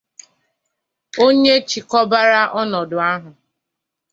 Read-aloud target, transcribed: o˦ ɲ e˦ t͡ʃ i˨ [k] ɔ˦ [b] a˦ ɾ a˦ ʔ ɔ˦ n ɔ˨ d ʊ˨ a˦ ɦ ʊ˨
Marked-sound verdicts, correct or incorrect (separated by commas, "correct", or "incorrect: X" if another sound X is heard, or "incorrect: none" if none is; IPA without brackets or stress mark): correct, correct